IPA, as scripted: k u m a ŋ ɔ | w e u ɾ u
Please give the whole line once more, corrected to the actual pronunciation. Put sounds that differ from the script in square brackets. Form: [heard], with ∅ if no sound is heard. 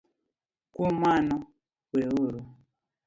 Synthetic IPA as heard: k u m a [n] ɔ | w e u ɾ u